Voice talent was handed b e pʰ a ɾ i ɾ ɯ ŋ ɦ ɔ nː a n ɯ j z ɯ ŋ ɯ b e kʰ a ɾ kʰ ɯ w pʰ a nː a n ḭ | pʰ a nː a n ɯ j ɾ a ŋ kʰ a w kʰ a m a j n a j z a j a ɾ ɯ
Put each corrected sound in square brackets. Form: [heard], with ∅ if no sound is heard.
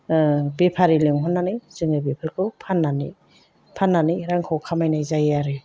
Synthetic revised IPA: b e pʰ a ɾ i [l] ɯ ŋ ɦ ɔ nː a n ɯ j z ɯ ŋ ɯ b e [pʰ] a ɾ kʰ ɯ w pʰ a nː a n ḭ | pʰ a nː a n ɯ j ɾ a ŋ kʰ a w kʰ a m a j n a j z a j a ɾ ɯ